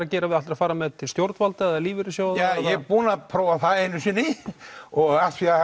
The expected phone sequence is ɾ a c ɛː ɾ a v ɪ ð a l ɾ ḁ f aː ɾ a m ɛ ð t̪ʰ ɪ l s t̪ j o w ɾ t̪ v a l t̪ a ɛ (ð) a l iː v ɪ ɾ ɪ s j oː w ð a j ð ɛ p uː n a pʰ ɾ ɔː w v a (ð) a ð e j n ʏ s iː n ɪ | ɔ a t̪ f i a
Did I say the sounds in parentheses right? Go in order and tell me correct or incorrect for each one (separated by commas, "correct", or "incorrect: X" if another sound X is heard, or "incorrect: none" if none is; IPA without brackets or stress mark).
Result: correct, incorrect: θ